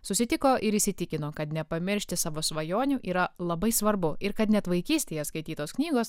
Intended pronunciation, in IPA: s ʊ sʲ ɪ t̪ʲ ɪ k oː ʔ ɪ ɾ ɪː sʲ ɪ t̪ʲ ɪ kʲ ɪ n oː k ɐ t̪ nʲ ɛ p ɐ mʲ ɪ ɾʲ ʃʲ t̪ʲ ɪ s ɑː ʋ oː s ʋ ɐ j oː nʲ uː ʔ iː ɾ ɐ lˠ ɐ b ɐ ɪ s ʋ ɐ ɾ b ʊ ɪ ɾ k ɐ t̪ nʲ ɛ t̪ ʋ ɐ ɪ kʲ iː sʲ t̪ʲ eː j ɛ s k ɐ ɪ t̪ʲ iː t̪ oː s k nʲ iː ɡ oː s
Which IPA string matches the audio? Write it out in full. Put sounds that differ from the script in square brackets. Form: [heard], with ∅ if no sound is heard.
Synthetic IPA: s ʊ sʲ ɪ t̪ʲ ɪ k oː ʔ ɪ ɾ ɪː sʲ ɪ t̪ʲ ɪ kʲ ɪ n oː k ɐ t̪ nʲ ɛ p ɐ mʲ ɪ ɾʲ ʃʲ t̪ʲ ɪ s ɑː ʋ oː s ʋ ɐ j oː nʲ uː ʔ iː ɾ ɐ lˠ ɐ b ɐ ɪ s ʋ ɐ ɾ b ʊ ɪ ɾ k ɐ t̪ nʲ ɛ t̪ ʋ ɐ ɪ kʲ iː sʲ t̪ʲ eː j ɛ s k ɐ ɪ t̪ʲ iː t̪ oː s k nʲ iː ɡ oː s

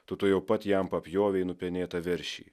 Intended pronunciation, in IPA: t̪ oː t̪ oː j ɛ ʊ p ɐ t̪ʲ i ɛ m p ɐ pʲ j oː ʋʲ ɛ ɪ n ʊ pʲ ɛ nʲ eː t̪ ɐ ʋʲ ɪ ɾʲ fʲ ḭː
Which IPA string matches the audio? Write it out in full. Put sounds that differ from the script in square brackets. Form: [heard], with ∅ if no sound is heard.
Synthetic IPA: t̪ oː t̪ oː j ɛ ʊ p ɐ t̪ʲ [j] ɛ m p ɐ pʲ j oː ʋʲ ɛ ɪ n ʊ pʲ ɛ nʲ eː t̪ ɐ ʋʲ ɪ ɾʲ [ʃʲ] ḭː

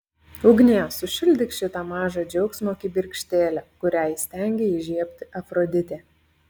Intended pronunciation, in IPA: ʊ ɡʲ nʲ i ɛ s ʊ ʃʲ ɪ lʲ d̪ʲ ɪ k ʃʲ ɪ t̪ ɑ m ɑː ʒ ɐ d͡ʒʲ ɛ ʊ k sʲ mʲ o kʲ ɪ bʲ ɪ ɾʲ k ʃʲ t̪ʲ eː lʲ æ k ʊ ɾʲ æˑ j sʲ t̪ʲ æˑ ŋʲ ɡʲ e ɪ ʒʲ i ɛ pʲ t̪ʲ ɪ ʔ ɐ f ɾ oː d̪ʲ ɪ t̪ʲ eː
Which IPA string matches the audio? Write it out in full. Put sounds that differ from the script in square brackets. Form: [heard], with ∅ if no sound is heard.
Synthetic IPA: ʊ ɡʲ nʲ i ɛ s ʊ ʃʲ ɪ lʲ d̪ʲ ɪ k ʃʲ ɪ t̪ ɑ m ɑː ʒ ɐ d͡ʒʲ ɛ ʊ k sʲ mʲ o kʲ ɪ bʲ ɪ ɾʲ k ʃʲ t̪ʲ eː lʲ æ k ʊ ɾʲ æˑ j sʲ t̪ʲ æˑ ŋʲ ɡʲ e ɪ ʒʲ i ɛ pʲ t̪ʲ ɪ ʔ ɐ f ɾ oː d̪ʲ ɪ t̪ʲ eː

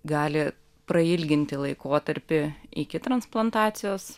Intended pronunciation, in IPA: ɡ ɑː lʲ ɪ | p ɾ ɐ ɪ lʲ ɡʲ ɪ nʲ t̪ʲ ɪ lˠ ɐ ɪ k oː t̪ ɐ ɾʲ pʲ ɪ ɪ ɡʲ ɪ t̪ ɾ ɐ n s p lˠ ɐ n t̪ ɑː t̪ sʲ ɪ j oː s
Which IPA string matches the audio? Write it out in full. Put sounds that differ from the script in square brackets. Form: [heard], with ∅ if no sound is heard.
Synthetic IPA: ɡ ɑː lʲ ɪ | p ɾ ɐ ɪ lʲ ɡʲ ɪ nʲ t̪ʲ ɪ lˠ ɐ ɪ k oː t̪ ɐ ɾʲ pʲ ɪ ɪ [kʲ] ɪ t̪ ɾ ɐ n s p lˠ ɐ n t̪ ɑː t̪ sʲ ɪ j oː s

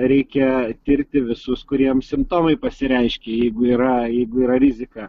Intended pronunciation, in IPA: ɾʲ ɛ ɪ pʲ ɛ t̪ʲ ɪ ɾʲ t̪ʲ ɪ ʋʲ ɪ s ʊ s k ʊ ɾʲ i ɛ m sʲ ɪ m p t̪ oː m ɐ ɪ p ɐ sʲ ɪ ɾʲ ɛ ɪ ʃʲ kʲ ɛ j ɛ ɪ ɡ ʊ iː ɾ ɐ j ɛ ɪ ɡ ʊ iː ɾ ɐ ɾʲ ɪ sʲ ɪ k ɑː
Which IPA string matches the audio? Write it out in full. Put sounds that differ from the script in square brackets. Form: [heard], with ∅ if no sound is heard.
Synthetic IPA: ɾʲ ɛ ɪ [kʲ] ɛ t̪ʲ ɪ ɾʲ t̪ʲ ɪ ʋʲ ɪ s ʊ s k ʊ ɾʲ i ɛ m sʲ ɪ m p t̪ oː m ɐ ɪ p ɐ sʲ ɪ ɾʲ ɛ ɪ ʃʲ kʲ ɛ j ɛ ɪ ɡ ʊ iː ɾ ɐ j ɛ ɪ ɡ ʊ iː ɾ ɐ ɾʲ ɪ [zʲ] ɪ k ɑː

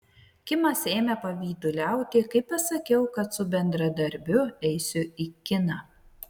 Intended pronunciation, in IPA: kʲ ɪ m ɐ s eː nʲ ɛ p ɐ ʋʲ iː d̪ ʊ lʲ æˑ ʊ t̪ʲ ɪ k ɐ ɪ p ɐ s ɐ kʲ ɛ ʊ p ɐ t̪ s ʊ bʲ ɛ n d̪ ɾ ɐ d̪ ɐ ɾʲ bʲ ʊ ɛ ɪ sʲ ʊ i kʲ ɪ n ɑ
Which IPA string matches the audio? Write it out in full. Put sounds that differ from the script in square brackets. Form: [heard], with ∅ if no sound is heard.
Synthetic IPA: kʲ ɪ m ɐ s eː [mʲ] ɛ p ɐ ʋʲ iː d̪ ʊ lʲ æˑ ʊ t̪ʲ ɪ k ɐ ɪ p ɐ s ɐ kʲ ɛ ʊ [k] ɐ t̪ s ʊ bʲ ɛ n d̪ ɾ ɐ d̪ ɐ ɾʲ bʲ ʊ ɛ ɪ sʲ ʊ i kʲ ɪ n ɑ

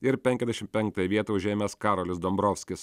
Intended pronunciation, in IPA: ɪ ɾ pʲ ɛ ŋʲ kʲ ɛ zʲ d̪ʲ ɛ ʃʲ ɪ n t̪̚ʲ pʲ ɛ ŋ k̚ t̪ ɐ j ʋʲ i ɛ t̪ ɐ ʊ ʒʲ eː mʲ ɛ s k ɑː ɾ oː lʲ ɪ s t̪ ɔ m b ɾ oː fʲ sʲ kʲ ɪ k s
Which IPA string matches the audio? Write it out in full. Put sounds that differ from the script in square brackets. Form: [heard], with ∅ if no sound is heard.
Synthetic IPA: ɪ ɾ pʲ ɛ ŋʲ kʲ ɛ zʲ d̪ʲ ɛ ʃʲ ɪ [m] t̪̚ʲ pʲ ɛ ŋ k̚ t̪ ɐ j ʋʲ i ɛ t̪ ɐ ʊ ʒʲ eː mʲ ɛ s k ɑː ɾ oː lʲ ɪ s [d̪] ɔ m b ɾ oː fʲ sʲ kʲ ɪ [∅] s

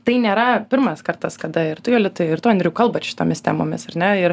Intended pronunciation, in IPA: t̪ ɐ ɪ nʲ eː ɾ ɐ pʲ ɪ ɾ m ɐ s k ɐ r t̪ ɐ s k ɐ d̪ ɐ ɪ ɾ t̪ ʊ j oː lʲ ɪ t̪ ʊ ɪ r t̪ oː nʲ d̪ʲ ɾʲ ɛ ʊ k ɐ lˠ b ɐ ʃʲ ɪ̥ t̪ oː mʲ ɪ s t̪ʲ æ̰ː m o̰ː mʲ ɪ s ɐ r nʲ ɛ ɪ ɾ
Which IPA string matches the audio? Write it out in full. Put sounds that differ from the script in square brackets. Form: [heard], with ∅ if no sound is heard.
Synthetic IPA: t̪ ɐ ɪ nʲ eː ɾ ɐ pʲ ɪ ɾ m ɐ s k ɐ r t̪ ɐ s k ɐ d̪ ɐ ɪ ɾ t̪ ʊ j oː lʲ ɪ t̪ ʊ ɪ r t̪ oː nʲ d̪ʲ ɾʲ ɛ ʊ k ɐ lˠ b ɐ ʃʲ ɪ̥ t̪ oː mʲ ɪ s t̪ʲ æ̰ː m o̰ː mʲ ɪ s ɐ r nʲ ɛ ɪ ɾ

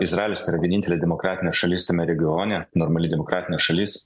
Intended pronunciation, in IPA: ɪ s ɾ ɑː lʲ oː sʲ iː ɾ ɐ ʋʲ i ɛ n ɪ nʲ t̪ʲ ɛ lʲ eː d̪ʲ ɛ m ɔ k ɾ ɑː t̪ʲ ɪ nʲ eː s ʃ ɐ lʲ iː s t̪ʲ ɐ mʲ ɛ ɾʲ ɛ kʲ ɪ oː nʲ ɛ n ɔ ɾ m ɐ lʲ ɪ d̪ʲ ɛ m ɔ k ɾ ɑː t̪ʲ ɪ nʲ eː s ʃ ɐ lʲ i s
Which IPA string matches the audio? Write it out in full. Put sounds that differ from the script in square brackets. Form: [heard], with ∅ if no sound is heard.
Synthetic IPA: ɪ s ɾ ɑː lʲ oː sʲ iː ɾ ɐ ʋʲ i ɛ n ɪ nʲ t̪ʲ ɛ lʲ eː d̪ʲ ɛ m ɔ k ɾ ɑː t̪ʲ ɪ nʲ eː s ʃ ɐ lʲ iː s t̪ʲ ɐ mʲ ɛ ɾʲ ɛ [ɡʲ] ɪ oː nʲ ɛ n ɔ ɾ m ɐ lʲ ɪ d̪ʲ ɛ m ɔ k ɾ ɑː t̪ʲ ɪ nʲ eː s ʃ ɐ lʲ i s

